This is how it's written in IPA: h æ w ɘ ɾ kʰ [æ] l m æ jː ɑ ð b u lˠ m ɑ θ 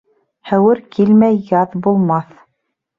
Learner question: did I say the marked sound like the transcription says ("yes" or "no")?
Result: no